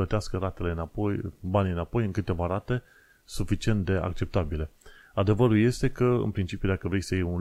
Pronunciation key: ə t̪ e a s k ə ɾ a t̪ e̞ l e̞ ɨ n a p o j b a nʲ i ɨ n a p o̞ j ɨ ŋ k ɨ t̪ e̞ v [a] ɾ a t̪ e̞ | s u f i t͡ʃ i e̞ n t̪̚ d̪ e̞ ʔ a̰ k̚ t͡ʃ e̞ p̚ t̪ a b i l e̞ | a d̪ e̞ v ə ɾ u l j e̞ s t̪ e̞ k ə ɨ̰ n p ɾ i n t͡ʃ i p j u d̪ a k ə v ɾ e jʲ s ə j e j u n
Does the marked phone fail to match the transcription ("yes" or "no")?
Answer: no